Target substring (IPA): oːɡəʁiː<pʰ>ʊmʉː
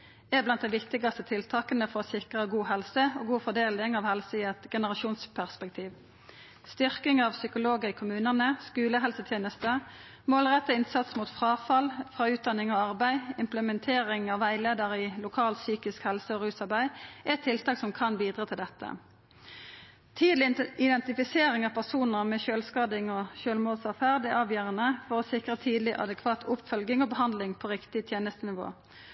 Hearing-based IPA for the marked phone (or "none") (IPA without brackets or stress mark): kʰ